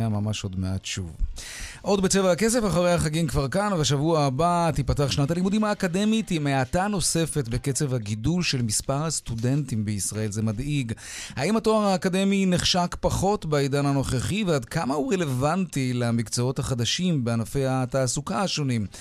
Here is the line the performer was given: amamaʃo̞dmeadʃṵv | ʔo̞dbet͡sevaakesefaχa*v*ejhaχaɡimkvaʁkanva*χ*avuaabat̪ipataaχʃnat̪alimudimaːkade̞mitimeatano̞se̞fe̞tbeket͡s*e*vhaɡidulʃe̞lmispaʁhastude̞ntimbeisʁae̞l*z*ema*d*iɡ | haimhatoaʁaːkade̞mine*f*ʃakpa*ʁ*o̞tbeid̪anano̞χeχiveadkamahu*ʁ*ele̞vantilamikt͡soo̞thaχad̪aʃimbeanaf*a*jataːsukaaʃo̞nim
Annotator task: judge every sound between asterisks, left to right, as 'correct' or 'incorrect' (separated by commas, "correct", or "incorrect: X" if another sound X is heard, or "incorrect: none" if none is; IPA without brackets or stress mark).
incorrect: ʁ, incorrect: ʃ, correct, correct, correct, incorrect: χ, incorrect: χ, correct, incorrect: e